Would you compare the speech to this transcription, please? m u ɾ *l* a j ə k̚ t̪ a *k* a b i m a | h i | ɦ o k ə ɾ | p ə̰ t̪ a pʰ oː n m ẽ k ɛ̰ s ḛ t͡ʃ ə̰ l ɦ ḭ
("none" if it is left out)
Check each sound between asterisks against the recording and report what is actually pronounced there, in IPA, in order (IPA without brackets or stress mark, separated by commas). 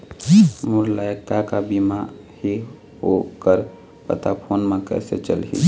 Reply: l, k